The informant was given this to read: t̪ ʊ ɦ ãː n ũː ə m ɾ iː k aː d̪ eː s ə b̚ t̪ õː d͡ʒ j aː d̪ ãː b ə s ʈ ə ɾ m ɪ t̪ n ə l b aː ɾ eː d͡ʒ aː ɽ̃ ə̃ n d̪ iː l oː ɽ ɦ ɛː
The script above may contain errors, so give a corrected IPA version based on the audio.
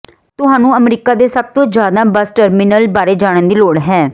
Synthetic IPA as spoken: t̪ ʊ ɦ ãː n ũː ə m ɾ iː k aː d̪ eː s ə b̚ t̪ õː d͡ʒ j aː d̪ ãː b ə s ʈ ə ɾ m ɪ n ə l b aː ɾ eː d͡ʒ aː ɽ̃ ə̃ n d̪ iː l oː ɽ ɦ ɛː